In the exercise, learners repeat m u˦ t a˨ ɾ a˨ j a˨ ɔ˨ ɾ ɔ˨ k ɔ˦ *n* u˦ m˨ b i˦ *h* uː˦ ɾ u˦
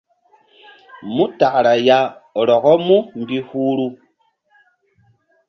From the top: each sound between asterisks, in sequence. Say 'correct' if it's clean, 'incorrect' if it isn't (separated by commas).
incorrect, correct